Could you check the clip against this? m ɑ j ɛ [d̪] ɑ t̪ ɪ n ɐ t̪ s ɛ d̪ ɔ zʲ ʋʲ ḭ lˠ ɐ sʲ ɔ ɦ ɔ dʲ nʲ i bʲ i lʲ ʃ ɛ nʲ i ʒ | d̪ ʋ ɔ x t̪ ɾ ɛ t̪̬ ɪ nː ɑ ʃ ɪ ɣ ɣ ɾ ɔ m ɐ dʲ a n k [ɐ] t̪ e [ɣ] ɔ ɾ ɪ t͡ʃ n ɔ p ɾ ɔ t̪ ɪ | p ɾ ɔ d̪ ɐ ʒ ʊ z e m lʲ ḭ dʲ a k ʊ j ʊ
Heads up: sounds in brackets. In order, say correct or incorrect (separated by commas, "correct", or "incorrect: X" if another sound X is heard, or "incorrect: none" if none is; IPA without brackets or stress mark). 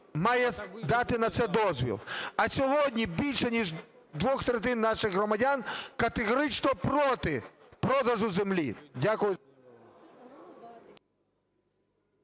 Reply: correct, correct, correct